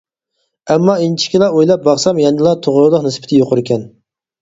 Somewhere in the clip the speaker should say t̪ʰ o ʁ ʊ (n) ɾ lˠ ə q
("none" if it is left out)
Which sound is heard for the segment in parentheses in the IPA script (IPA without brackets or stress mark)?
none